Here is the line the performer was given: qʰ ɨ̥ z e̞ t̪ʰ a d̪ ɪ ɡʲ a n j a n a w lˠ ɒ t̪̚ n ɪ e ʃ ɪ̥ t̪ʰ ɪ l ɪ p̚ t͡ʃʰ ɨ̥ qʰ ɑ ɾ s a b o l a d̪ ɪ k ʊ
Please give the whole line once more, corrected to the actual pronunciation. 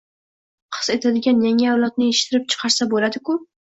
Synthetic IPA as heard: qʰ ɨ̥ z e̞ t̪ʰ a d̪ ɪ ɡʲ a n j a ŋ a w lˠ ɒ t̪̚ n ɪ e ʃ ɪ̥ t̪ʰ ɪ ɾ ɪ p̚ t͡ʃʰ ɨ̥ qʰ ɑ ɾ s a b o l a d̪ ɪ k ʊ